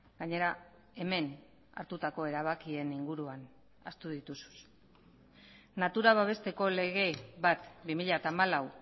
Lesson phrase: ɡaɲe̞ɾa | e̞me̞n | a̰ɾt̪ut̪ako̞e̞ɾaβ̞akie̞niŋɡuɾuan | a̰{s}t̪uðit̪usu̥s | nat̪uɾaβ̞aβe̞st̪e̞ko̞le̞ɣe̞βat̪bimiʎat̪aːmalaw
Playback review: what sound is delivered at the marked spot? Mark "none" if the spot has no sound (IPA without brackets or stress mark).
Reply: s